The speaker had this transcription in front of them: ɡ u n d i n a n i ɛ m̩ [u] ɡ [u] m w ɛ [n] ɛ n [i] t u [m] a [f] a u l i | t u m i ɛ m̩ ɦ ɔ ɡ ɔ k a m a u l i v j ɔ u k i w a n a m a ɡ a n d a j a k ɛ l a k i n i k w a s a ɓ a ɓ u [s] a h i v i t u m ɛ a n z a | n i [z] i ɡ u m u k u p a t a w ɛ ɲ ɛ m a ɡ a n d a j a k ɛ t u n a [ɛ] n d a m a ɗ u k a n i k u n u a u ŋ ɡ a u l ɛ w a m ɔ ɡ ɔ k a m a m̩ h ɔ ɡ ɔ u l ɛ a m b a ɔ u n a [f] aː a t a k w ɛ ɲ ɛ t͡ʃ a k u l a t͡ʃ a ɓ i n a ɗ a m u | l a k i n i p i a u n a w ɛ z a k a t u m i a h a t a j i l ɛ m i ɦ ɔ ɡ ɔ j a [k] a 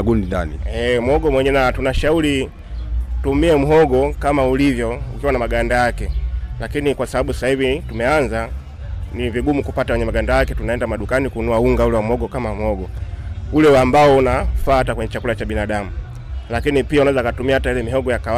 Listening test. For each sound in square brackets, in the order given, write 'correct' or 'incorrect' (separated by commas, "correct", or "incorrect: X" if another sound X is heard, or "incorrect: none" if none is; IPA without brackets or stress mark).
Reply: incorrect: ɔ, incorrect: ɔ, incorrect: ɲ, incorrect: a, incorrect: n, incorrect: ʃ, correct, incorrect: v, correct, correct, correct